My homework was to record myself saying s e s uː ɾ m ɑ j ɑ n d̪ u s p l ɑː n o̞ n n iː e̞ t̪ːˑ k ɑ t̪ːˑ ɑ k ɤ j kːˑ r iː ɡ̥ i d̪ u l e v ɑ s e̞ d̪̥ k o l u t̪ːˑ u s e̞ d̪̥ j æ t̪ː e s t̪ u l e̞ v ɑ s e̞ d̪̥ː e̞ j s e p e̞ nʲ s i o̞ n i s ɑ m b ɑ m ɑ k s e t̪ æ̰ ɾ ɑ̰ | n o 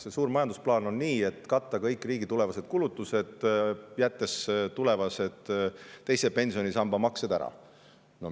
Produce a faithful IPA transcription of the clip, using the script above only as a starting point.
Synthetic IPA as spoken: s e s uː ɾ m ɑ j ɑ n d̪ u s p l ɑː n o̞ n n iː e̞ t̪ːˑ k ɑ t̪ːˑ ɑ k ɤ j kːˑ r iː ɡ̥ i t̪ u l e v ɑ s e̞ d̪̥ k u l u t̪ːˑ u s e̞ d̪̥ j æ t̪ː e s t̪ u l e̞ v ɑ s e̞ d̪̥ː e̞ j s e p e̞ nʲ s i o̞ n i s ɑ m b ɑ m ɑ k s e d̪ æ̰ ɾ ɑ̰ | n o